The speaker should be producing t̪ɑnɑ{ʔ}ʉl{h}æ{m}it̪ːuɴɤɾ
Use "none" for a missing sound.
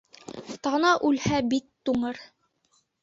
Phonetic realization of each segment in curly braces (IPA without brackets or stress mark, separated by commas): ʔ, h, b